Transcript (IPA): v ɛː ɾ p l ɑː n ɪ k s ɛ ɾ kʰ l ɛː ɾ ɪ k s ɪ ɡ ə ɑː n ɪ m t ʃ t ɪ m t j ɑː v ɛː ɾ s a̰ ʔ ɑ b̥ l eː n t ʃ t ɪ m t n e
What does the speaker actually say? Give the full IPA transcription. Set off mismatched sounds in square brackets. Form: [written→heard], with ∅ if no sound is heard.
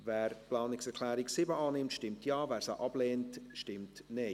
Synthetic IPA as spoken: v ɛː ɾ p l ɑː n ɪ k s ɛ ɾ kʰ l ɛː ɾ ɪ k s ɪ [ɡ→b] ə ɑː n ɪ m t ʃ t ɪ m t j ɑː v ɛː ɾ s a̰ ʔ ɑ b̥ l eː n t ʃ t ɪ m t n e

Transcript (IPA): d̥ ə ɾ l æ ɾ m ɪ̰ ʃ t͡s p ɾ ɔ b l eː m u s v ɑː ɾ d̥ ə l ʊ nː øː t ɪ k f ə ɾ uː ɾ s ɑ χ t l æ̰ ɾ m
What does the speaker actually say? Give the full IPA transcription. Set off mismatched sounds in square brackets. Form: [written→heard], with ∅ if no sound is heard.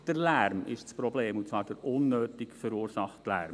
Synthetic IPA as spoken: d̥ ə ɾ l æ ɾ m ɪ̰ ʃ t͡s p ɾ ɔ b l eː m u [s→t͡s] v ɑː ɾ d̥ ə [l→ɾ] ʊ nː øː t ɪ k f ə ɾ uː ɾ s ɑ χ t l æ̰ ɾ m

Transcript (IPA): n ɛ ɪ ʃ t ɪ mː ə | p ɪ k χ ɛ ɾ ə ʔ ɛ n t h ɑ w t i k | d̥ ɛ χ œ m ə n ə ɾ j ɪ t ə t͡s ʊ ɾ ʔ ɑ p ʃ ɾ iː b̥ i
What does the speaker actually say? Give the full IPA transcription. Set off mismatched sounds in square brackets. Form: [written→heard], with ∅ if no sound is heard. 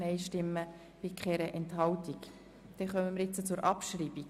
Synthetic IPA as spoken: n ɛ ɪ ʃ t ɪ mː ə | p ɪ k χ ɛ ɾ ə ʔ ɛ n t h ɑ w t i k | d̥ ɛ χ œ m ə [n→m] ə ɾ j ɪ [t→t͡s] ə t͡s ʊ ɾ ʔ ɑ p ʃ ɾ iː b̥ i

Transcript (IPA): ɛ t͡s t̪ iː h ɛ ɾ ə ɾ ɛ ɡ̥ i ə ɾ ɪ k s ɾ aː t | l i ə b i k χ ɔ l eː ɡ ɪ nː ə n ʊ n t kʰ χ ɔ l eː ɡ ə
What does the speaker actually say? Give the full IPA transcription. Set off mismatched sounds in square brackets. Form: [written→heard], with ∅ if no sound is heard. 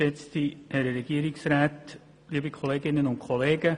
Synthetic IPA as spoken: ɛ t͡s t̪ [iː→i] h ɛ ɾ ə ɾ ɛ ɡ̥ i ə ɾ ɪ k s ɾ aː t | l i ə b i k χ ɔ l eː ɡ ɪ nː ə n ʊ n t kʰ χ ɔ l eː ɡ ə

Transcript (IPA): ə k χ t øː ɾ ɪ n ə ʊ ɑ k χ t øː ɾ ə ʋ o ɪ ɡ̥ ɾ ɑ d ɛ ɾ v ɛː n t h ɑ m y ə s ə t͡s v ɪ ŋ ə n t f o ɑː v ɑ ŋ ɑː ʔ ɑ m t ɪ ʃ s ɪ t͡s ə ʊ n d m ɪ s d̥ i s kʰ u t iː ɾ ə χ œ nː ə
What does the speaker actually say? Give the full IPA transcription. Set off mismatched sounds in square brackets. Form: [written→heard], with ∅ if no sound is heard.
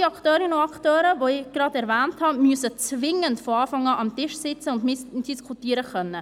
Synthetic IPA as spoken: [ə→ɑ] k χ t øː ɾ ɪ n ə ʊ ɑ k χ t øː ɾ ə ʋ o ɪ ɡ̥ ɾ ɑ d ɛ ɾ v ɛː n t h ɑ m y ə s ə t͡s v ɪ ŋ ə n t f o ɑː [v→f] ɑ ŋ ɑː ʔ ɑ m t ɪ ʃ s ɪ t͡s ə ʊ n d m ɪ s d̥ i s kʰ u t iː ɾ ə χ œ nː ə

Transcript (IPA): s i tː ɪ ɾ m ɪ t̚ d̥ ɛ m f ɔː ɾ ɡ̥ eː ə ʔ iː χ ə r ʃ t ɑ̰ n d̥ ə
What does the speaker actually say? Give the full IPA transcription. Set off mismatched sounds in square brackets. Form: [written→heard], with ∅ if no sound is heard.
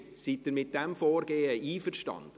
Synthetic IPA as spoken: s i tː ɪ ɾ m ɪ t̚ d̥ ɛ m f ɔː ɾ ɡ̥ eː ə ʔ iː [χ→f] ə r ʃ t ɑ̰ n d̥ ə

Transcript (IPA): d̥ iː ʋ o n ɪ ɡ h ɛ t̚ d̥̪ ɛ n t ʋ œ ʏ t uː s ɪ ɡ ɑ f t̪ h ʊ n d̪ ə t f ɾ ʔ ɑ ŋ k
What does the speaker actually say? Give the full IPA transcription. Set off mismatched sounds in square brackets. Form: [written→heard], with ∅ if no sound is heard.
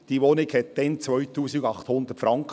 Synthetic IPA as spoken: d̥ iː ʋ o n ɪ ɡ h ɛ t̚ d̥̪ ɛ n [t→t͡s] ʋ œ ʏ t uː s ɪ ɡ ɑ [f→χ] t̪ h ʊ n d̪ ə t f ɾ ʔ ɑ ŋ k

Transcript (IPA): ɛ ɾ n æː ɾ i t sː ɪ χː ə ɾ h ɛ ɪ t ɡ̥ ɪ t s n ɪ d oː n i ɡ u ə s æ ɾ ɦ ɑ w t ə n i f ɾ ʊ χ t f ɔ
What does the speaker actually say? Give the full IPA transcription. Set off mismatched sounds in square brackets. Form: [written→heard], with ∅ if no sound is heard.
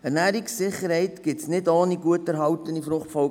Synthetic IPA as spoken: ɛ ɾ n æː ɾ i [t→k] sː ɪ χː ə ɾ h ɛ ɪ t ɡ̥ ɪ t s n ɪ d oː n i ɡ u ə [s→t] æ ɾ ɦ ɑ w t ə n i f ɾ ʊ χ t f ɔ

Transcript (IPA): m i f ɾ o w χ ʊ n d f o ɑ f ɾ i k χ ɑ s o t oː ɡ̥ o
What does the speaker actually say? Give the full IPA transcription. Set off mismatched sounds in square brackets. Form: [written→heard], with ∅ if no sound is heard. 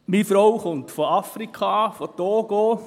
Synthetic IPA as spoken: m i f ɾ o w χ ʊ n [d→t] f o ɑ f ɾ i k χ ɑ [s→f] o t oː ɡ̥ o

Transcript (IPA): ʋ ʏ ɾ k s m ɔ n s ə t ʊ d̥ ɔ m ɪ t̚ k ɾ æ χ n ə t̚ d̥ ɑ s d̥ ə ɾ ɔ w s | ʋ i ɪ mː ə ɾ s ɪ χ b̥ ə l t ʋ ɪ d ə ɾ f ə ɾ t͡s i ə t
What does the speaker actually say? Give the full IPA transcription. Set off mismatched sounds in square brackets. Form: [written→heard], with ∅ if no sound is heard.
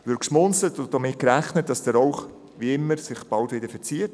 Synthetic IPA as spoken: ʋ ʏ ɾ k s m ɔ n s ə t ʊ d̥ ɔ m ɪ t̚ k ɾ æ χ n ə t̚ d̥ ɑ s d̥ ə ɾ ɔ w [s→χ] | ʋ i ɪ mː ə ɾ s ɪ χ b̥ [ə→ɑ] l t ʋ ɪ d ə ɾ f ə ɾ t͡s i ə t

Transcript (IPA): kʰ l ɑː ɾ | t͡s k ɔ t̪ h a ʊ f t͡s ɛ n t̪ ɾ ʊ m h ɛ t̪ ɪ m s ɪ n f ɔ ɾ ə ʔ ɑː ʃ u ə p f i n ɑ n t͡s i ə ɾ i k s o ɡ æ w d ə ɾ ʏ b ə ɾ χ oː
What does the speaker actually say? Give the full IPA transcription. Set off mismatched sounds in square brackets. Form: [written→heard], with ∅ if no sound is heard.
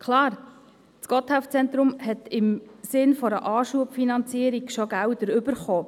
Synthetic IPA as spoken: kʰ l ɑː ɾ | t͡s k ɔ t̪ h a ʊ f t͡s ɛ n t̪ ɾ ʊ m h ɛ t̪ ɪ m s ɪ n f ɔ ɾ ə ʔ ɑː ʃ u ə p f i n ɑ n t͡s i ə ɾ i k [s→ʃ] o ɡ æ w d ə ɾ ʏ b ə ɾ χ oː

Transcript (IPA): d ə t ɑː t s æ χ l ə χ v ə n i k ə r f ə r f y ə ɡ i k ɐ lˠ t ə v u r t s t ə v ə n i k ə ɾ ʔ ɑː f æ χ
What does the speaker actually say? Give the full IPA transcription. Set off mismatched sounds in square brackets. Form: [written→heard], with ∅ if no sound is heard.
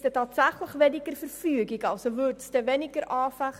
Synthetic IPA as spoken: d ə t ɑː t s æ χ l ə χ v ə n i k ə r f ə r f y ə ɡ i k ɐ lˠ [t→s] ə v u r t s t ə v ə n i k ə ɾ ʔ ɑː f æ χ

